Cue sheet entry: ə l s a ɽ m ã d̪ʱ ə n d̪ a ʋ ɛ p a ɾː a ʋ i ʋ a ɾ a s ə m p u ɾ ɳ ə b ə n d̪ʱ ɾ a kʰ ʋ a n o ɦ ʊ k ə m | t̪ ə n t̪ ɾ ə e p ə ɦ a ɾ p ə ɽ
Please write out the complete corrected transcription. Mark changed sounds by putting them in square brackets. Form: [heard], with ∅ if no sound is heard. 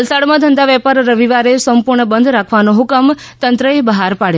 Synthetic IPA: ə l s a ɽ m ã d̪ʱ ə n d̪ a ʋ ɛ p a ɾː [ə] ʋ i ʋ a ɾ [e] s ə m p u ɾ ɳ ə b ə n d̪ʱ ɾ a kʰ ʋ a n o ɦ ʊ k ə m | t̪ ə n t̪ ɾ ə e [b] ə ɦ a ɾ p [a] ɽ